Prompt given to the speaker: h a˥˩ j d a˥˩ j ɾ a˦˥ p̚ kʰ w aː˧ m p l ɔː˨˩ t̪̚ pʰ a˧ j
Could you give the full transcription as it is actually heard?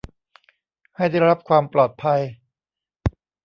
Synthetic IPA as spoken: h a˥˩ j d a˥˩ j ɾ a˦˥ p̚ kʰ w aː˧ m p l ɔː˨˩ t̪̚ pʰ a˧ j

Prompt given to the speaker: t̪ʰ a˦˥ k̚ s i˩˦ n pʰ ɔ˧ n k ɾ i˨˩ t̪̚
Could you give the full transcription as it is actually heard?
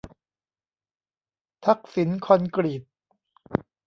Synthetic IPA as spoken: t̪ʰ a˦˥ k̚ s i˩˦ n kʰ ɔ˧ n k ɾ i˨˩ t̪̚

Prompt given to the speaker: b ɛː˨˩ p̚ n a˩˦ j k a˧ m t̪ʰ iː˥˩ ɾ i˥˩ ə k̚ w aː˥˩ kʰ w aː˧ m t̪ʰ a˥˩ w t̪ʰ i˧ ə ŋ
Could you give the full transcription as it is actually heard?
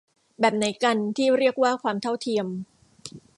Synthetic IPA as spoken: b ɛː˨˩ p̚ n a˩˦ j k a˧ n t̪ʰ iː˥˩ ɾ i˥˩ ə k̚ w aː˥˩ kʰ w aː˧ m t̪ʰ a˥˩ w t̪ʰ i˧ ə m

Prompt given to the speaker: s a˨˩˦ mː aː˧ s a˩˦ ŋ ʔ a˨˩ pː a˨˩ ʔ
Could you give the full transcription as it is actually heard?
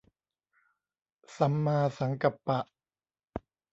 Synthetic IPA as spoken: s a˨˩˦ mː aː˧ s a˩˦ ŋ k a˨˩ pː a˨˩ ʔ

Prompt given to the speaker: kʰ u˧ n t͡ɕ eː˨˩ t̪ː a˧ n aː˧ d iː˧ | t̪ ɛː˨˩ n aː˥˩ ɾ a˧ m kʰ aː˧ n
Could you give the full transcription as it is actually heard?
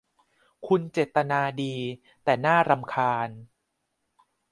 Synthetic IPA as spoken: kʰ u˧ n t͡ɕ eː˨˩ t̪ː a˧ n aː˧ d iː˧ | t̪ ɛː˨˩ n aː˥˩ ɾ a˧ m kʰ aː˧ n

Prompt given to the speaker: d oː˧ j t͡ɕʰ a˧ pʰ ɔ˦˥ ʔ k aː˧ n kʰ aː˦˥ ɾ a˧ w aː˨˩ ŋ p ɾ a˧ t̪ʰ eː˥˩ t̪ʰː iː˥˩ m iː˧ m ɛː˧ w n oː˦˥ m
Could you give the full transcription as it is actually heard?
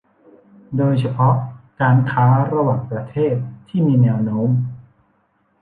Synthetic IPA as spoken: d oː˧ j t͡ɕʰ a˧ pʰ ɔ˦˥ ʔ k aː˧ n kʰ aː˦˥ ɾ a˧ w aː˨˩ ŋ p ɾ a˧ t̪ʰ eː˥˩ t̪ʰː iː˥˩ m iː˧ n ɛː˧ w n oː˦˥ m

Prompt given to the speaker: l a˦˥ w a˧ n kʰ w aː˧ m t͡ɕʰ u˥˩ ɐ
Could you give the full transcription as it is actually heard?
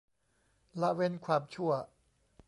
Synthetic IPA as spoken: l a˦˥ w e˧ n kʰ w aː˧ m t͡ɕʰ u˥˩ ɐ

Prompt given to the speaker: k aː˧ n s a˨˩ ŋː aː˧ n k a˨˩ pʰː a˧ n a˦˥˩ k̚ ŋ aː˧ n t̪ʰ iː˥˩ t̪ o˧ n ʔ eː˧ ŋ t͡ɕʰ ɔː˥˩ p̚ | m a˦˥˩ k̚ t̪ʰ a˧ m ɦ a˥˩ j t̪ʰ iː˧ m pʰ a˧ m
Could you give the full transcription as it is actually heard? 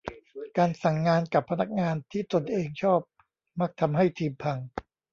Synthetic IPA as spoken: k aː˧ n s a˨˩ ŋː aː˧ n k a˨˩ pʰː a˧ n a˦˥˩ k̚ ŋ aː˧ n t̪ʰ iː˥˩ t̪ o˧ n ʔ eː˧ ŋ t͡ɕʰ ɔː˥˩ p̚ | m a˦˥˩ k̚ t̪ʰ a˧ m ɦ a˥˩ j t̪ʰ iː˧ m pʰ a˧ ŋ

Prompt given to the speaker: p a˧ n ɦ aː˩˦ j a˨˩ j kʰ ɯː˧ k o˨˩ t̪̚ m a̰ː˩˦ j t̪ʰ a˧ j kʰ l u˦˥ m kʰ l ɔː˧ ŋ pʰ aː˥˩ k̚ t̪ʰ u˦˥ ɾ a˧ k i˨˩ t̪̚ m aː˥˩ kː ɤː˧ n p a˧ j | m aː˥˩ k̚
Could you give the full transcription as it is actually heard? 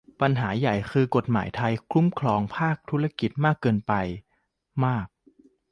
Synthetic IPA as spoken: p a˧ n ɦ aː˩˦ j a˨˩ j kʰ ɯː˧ k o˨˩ t̪̚ m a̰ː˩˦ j t̪ʰ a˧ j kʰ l u˦˥ m kʰ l ɔː˧ ŋ pʰ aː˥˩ k̚ t̪ʰ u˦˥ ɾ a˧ k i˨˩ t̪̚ m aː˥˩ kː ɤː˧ n p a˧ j | m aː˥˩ k̚

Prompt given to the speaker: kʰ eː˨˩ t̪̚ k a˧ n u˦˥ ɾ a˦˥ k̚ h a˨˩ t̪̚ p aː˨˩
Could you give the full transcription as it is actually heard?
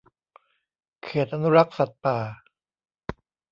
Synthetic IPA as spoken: kʰ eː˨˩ t̪̚ ʔ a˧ n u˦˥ ɾ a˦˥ k̚ s a˨˩ t̪̚ p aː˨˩

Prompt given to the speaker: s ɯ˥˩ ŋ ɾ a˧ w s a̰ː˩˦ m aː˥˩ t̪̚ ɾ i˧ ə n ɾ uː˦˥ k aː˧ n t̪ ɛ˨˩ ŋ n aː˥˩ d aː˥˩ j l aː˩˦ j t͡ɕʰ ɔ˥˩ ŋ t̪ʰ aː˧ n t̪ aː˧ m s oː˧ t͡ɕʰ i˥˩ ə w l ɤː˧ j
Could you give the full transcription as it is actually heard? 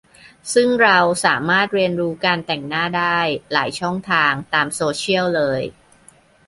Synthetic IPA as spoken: s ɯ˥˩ ŋ ɾ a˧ w s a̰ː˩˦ m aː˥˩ t̪̚ ɾ i˧ ə n ɾ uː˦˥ k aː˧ n t̪ ɛ˨˩ ŋ n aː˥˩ d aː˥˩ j l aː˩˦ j t͡ɕʰ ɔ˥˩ ŋ t̪ʰ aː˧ ŋ t̪ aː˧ m s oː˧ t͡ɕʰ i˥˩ ə w l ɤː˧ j

